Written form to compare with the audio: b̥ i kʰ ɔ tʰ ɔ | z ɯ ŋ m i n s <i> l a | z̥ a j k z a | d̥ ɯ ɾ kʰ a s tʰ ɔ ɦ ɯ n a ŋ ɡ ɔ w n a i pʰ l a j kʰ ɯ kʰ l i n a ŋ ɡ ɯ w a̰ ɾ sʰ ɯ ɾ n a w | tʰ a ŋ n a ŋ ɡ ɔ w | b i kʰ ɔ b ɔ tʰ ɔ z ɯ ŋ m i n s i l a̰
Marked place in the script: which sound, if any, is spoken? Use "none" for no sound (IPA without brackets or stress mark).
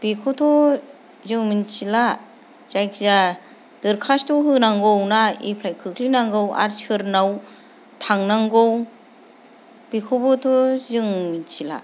i